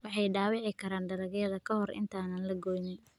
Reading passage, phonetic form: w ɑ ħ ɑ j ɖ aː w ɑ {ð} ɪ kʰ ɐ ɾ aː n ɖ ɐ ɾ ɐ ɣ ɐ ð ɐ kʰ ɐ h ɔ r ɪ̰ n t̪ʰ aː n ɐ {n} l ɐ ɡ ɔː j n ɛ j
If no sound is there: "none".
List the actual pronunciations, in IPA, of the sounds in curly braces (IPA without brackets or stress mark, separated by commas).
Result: ʕ, n